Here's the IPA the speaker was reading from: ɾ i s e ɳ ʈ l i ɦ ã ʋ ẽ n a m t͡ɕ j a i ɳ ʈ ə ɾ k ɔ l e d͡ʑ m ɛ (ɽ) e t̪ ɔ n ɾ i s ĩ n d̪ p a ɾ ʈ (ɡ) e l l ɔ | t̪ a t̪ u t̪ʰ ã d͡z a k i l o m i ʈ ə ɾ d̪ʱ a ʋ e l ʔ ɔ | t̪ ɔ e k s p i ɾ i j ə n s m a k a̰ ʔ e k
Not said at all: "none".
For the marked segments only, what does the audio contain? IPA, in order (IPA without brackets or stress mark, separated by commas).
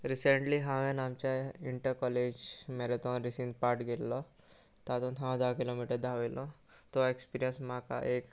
ɾ, ɡ